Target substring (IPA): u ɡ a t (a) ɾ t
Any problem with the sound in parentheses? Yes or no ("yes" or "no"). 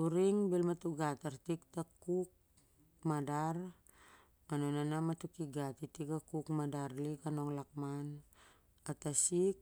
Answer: no